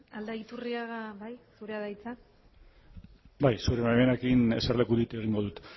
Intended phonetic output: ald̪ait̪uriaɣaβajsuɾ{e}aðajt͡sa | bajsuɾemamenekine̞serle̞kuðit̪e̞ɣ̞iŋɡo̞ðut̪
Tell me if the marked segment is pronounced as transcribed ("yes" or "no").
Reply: yes